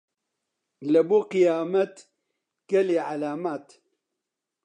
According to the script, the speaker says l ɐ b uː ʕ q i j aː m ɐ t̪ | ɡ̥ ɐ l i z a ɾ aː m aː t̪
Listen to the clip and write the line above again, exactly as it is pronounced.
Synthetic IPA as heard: l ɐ b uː q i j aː m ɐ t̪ | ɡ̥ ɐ l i ʕ a l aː m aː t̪